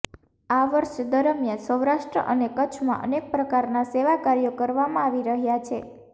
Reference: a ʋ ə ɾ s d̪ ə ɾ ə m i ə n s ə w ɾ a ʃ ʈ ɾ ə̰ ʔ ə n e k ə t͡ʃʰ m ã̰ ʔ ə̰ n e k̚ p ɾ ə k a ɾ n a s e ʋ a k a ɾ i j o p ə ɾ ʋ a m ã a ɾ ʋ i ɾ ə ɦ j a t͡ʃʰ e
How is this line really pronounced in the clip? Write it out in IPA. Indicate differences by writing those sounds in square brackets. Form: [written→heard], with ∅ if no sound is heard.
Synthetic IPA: a ʋ ə ɾ [s→ʃ] d̪ ə ɾ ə m [i→j] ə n s ə w ɾ a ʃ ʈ ɾ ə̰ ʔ ə n e k ə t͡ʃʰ m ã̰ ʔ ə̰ n e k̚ p ɾ ə k a ɾ n a s e ʋ a k a ɾ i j o [p→k] ə ɾ ʋ a m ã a [ɾ→∅] ʋ i ɾ ə ɦ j a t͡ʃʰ e

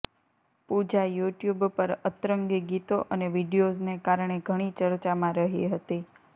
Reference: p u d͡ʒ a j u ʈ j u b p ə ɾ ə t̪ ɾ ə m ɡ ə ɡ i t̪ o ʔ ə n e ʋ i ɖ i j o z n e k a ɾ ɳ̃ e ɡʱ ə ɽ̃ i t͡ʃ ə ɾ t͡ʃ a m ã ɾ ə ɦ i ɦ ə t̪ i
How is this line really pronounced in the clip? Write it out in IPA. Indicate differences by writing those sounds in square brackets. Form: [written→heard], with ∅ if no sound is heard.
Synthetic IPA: p u d͡ʒ a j u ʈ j u b p ə ɾ ə t̪ ɾ ə [m→ŋ] ɡ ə ɡ i t̪ o ʔ ə n e ʋ i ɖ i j o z n e k a ɾ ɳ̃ e ɡʱ ə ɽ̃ i t͡ʃ ə ɾ t͡ʃ a m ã ɾ ə ɦ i ɦ ə t̪ i

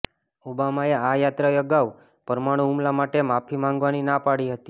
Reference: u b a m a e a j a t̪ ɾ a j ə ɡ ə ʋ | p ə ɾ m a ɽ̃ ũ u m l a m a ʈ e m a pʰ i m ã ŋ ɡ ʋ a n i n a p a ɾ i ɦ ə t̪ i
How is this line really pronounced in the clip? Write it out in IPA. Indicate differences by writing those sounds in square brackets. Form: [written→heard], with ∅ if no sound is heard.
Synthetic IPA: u b a m a e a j a t̪ ɾ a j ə ɡ [ə→a] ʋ | p ə ɾ m a ɽ̃ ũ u m l a m a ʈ e m a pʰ i m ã ŋ ɡ ʋ a n i n a p a [ɾ→ɽ] i ɦ ə t̪ i

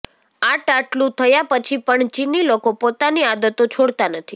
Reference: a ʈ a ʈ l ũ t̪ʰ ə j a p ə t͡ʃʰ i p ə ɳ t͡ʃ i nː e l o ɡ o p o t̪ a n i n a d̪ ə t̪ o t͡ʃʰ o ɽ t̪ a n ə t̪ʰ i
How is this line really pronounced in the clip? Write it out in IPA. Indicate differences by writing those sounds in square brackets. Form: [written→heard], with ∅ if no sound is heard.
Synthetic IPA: a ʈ a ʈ l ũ t̪ʰ ə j a p ə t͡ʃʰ i p ə ɳ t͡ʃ i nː [e→i] l o [ɡ→k] o p o t̪ a n i [n→∅] a d̪ ə t̪ o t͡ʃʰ o ɽ t̪ a n ə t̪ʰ i

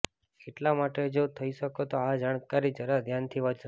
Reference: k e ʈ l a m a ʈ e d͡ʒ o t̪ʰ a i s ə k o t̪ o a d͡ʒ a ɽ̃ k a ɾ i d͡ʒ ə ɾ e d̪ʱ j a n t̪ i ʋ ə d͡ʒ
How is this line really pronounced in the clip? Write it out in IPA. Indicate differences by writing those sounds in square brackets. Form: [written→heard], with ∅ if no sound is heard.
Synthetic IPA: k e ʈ l a m a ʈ e d͡ʒ o t̪ʰ [a→ə] i [s→ʃ] ə k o t̪ o a d͡ʒ a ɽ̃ k a ɾ i d͡ʒ ə ɾ [e→a] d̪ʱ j a n [t̪→t̪ʰ] i ʋ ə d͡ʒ

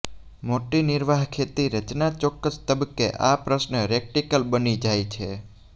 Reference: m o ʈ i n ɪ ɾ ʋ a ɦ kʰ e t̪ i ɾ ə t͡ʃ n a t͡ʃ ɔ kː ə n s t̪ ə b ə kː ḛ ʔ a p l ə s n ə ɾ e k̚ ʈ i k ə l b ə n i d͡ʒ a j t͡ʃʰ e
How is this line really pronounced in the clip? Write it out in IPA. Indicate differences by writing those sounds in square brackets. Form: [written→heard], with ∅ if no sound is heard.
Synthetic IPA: m o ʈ i n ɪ ɾ ʋ a ɦ kʰ e t̪ i ɾ ə t͡ʃ n a t͡ʃ ɔ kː ə [n→∅] s t̪ ə b ə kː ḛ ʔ a p [l→ɾ] ə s n ə ɾ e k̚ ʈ i k ə l b ə n i d͡ʒ a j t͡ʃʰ e

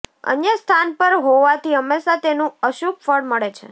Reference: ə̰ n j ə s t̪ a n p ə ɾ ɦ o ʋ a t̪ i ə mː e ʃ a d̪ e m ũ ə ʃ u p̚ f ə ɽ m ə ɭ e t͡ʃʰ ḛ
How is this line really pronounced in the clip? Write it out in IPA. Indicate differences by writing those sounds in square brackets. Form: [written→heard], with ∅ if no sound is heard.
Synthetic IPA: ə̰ n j ə s [t̪→t̪ʰ] a n p ə ɾ ɦ o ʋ a t̪ i ə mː e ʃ a [d̪→t̪] e [m→n] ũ ə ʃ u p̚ f ə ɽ m ə ɭ e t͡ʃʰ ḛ

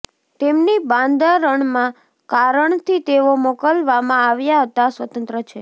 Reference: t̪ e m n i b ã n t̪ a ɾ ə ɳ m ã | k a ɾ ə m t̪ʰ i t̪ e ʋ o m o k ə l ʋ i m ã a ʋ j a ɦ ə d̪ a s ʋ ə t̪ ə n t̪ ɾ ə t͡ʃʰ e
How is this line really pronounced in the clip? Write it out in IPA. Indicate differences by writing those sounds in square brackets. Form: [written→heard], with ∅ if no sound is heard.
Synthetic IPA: t̪ e m n i b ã n [t̪→d̪] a ɾ ə ɳ m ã | k a ɾ ə [m→ɳ] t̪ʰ i t̪ e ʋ o m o k ə l ʋ [i→a] m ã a ʋ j a ɦ ə [d̪→t̪] a s ʋ ə t̪ ə n t̪ ɾ ə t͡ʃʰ e

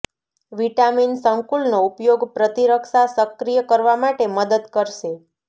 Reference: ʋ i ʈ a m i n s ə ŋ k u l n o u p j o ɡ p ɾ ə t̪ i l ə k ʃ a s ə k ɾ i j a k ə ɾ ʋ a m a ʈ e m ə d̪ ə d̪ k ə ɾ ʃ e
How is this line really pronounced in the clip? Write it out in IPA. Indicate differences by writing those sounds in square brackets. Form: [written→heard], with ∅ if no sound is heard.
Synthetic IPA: ʋ i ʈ a m i n s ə ŋ k u l n o u p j o ɡ p ɾ ə t̪ i [l→ɾ] ə k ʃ a s ə k ɾ i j [a→ə] k ə ɾ ʋ a m a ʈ e m ə d̪ ə d̪ k ə ɾ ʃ e

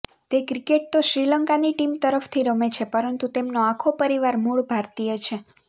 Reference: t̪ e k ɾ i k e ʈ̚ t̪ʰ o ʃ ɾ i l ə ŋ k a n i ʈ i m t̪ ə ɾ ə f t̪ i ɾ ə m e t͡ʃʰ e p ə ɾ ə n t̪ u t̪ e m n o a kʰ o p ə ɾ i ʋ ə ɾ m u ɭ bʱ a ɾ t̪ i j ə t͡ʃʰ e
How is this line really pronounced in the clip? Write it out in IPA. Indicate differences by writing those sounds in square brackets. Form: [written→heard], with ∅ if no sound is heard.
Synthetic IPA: t̪ e k ɾ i k e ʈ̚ [t̪ʰ→t̪] o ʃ ɾ i l ə ŋ k a n i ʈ i m t̪ ə ɾ ə f [t̪→t̪ʰ] i ɾ ə m e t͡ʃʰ e p ə ɾ ə n t̪ u t̪ e m n o a kʰ o p ə ɾ i ʋ [ə→a] ɾ m u ɭ bʱ a ɾ t̪ i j ə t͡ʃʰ e

